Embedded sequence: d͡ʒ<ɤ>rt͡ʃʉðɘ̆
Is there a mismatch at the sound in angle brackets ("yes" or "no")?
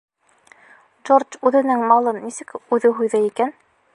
yes